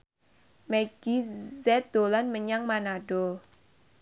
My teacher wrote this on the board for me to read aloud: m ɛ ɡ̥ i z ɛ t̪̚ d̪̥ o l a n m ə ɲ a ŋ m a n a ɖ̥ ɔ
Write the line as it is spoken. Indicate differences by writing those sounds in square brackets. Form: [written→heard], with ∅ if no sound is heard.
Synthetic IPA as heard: m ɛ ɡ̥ i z ɛ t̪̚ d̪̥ o l a n m ə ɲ a ŋ m a n a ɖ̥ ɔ